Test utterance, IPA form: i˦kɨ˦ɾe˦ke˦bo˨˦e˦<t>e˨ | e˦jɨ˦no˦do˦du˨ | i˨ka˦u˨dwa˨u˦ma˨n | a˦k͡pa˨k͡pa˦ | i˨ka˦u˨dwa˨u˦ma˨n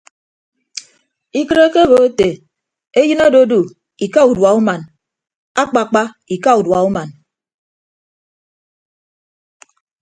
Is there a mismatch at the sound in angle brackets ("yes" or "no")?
no